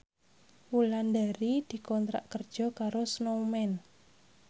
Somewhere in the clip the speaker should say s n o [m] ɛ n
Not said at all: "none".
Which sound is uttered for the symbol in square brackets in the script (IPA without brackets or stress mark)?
m